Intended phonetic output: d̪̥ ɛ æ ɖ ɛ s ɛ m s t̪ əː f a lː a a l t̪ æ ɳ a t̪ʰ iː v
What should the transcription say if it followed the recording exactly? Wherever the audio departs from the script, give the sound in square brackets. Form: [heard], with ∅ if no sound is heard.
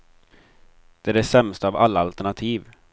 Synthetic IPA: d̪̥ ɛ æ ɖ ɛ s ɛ m s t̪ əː [v] a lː a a l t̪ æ ɳ a t̪ʰ iː v